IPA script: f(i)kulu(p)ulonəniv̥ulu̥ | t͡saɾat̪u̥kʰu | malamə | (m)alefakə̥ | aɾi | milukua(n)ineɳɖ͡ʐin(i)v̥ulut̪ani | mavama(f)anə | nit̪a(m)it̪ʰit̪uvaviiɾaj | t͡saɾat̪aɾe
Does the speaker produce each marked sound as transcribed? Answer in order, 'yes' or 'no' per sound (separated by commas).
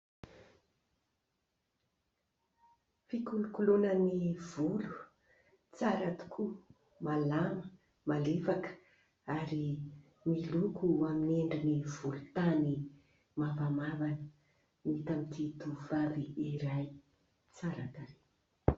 yes, no, yes, no, yes, no, yes